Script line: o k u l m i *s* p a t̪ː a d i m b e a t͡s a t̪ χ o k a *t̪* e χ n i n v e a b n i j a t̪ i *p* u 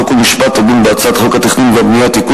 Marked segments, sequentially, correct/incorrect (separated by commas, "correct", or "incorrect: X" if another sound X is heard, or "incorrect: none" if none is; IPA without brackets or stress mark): incorrect: ʃ, correct, incorrect: k